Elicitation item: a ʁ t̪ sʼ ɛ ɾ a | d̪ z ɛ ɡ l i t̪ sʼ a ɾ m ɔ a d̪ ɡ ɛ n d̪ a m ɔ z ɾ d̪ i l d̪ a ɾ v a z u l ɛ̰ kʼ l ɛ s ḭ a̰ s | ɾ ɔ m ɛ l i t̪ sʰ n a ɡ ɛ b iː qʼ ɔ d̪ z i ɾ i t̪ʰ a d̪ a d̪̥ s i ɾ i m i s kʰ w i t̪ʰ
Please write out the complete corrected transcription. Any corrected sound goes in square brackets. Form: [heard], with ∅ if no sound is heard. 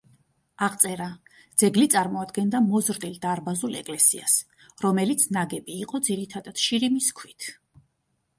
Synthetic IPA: a ʁ t̪ sʼ ɛ ɾ a | d̪ z ɛ ɡ l i t̪ sʼ a ɾ m ɔ a d̪ ɡ ɛ n d̪ a m ɔ z ɾ d̪ i l d̪ a ɾ [b] a z u l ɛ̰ kʼ l ɛ s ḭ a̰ s | ɾ ɔ m ɛ l i t̪ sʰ n a ɡ ɛ b iː qʼ ɔ d̪ z i ɾ i t̪ʰ a d̪ a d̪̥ [ʃ] i ɾ i m i s kʰ w i t̪ʰ

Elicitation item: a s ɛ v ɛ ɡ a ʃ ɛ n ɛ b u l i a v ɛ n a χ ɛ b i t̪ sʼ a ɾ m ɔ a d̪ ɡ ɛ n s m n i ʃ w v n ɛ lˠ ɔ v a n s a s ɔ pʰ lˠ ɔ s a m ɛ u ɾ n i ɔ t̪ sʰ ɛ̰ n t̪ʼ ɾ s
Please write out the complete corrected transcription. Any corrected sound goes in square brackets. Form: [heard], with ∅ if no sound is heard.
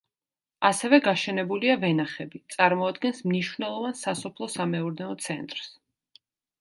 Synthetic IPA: a s ɛ v ɛ ɡ a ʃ ɛ n ɛ b u l i a v ɛ n a χ ɛ b i t̪ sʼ a ɾ m ɔ a d̪ ɡ ɛ n s m n i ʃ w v n ɛ lˠ ɔ v a n s a s ɔ pʰ lˠ ɔ s a m ɛ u ɾ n [ɛ] ɔ t̪ sʰ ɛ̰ n t̪ʼ ɾ s

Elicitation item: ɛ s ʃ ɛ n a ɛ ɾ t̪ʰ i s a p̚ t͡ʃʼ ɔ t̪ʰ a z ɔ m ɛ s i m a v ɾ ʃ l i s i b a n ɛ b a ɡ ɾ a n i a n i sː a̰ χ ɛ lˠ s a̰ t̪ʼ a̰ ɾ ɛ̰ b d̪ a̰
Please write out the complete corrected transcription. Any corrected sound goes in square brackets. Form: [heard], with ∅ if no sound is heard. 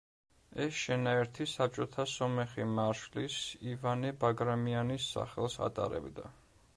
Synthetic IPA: ɛ s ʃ ɛ n a ɛ ɾ t̪ʰ i s a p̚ t͡ʃʼ ɔ t̪ʰ a [s] ɔ m ɛ [χ] i m a [∅] ɾ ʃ l i s i [v] a n ɛ b a ɡ ɾ a [m] i a n i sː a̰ χ ɛ lˠ s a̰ t̪ʼ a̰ ɾ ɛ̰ b d̪ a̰

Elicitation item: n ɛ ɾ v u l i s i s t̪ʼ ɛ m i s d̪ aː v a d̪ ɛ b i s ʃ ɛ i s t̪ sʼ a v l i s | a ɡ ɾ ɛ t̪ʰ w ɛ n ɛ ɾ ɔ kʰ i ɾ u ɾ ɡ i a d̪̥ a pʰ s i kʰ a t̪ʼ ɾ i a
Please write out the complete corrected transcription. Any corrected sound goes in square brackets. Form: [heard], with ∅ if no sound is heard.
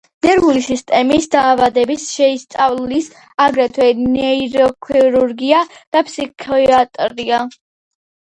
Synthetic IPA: n ɛ ɾ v u l i s i s t̪ʼ ɛ m i s d̪ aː v a d̪ ɛ b i s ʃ ɛ i s t̪ sʼ a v l i s | a ɡ ɾ ɛ t̪ʰ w ɛ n ɛ ɾ ɔ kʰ i ɾ u ɾ ɡ i a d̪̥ a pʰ s i kʰ a t̪ʼ ɾ i a

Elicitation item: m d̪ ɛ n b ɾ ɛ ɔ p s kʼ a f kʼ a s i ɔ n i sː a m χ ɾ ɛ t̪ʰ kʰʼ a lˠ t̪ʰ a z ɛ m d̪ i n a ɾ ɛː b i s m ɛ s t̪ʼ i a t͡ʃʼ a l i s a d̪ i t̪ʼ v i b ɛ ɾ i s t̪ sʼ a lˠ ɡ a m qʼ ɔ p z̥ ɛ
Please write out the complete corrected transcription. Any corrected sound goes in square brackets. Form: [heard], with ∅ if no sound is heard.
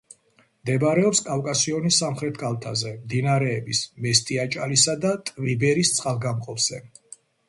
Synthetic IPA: m d̪ ɛ [∅] b ɾ ɛ ɔ p s kʼ a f kʼ a s i ɔ n i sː a m χ ɾ ɛ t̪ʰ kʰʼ a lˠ t̪ʰ a z ɛ m d̪ i n a ɾ ɛː b i s m ɛ s t̪ʼ i a t͡ʃʼ a l i s a d̪ [a] t̪ʼ v i b ɛ ɾ i s t̪ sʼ a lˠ ɡ a m qʼ ɔ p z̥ ɛ

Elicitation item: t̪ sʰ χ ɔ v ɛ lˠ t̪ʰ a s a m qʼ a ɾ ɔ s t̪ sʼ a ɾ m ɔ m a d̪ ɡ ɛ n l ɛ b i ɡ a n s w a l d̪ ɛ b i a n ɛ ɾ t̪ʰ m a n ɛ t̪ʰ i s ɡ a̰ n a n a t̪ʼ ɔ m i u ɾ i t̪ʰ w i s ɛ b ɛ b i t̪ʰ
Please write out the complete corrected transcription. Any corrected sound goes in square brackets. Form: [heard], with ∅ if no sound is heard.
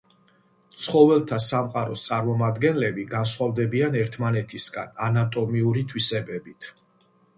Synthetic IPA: t̪ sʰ χ ɔ v ɛ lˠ t̪ʰ a s a m qʼ a ɾ ɔ s t̪ sʼ a ɾ m ɔ m a d̪ ɡ ɛ n l ɛ b i ɡ a n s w a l d̪ ɛ b i a n ɛ ɾ t̪ʰ m a n ɛ t̪ʰ i s ɡ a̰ n a n a t̪ʼ ɔ m i u ɾ i t̪ʰ w i s ɛ b ɛ b i t̪ʰ

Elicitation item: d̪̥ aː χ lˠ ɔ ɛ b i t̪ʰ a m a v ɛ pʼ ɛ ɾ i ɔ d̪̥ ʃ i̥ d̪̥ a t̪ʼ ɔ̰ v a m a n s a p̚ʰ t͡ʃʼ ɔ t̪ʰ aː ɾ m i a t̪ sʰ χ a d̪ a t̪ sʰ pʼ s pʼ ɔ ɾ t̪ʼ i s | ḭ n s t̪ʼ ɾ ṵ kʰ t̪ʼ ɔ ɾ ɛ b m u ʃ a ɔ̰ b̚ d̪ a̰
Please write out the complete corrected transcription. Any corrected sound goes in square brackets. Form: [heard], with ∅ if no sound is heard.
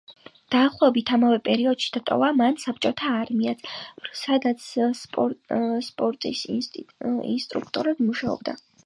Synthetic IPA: d̪̥ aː χ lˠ ɔ ɛ b i t̪ʰ a m a v ɛ pʼ ɛ ɾ i ɔ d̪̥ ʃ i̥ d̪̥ a t̪ʼ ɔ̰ v a m a n s a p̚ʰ t͡ʃʼ ɔ t̪ʰ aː ɾ m i a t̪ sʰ [s] a d̪ a t̪ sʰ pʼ s pʼ ɔ ɾ t̪ʼ i s | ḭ n s t̪ʼ ɾ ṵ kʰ t̪ʼ ɔ ɾ ɛ b m u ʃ a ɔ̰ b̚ d̪ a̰

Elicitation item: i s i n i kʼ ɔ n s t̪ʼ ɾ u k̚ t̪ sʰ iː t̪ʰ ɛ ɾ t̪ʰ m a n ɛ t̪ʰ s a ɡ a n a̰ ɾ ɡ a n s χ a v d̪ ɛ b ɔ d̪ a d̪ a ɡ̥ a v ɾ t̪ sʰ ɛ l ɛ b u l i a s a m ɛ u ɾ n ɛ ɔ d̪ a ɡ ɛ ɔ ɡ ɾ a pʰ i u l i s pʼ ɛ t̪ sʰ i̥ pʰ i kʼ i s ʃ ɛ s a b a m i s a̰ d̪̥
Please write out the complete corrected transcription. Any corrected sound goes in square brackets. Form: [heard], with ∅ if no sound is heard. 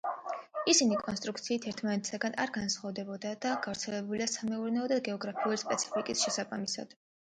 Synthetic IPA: i s i n i kʼ ɔ n s t̪ʼ ɾ u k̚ t̪ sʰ iː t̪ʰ ɛ ɾ t̪ʰ m a n ɛ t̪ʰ s a ɡ a n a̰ ɾ ɡ a n s χ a v d̪ ɛ b ɔ d̪ a d̪ a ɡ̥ a v ɾ t̪ sʰ ɛ l ɛ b u l i a s a m ɛ u ɾ n ɛ ɔ d̪ a ɡ ɛ ɔ ɡ ɾ a pʰ i u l i s pʼ ɛ t̪ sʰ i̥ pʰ i kʼ i s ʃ ɛ s a b a m i s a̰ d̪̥

